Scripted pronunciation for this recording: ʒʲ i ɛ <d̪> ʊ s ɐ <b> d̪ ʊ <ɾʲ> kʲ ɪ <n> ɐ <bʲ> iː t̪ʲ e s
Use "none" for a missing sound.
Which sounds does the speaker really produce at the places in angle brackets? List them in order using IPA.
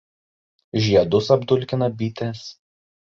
d̪, b, lʲ, n, bʲ

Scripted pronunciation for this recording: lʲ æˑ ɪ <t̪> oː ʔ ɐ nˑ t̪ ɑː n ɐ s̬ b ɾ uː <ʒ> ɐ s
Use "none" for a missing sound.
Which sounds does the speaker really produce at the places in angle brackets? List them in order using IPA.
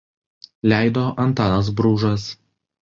d̪, ʒ

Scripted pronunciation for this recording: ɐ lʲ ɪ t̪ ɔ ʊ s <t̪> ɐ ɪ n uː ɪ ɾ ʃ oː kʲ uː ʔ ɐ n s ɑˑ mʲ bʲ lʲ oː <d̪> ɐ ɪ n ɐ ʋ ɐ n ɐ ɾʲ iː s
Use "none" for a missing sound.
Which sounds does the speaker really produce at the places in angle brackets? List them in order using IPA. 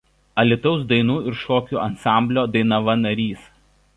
d̪, d̪

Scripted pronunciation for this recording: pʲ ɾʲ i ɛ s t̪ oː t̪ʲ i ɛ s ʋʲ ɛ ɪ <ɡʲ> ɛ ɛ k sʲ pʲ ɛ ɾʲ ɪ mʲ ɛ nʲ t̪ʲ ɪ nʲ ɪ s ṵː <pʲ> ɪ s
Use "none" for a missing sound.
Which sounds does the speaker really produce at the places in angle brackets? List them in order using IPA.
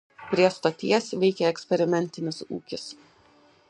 kʲ, kʲ

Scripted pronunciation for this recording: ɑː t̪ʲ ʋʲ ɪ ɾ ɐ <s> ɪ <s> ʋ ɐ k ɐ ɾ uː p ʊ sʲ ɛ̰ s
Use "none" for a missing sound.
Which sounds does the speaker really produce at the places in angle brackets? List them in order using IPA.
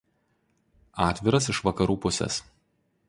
s, ʃ

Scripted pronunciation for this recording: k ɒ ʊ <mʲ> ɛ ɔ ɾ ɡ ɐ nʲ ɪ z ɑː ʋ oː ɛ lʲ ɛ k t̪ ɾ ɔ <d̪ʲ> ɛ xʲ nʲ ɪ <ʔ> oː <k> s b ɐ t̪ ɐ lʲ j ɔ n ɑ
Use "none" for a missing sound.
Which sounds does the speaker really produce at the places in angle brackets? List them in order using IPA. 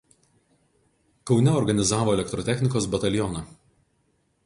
nʲ, t̪ʲ, k, none

